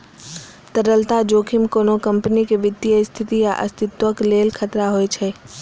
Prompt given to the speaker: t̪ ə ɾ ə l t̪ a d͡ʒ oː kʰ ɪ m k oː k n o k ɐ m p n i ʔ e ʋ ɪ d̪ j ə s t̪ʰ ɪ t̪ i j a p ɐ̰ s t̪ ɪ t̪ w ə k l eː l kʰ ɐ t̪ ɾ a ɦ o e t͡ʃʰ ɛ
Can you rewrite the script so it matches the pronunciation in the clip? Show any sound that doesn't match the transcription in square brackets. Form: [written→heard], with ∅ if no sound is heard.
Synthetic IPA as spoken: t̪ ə ɾ ə l t̪ a d͡ʒ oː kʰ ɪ m k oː [k→∅] n o k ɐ m p n i [ʔ→k] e ʋ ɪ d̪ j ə s t̪ʰ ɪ t̪ i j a [p→ʔ] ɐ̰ s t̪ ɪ t̪ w ə k l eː l kʰ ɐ t̪ ɾ a ɦ o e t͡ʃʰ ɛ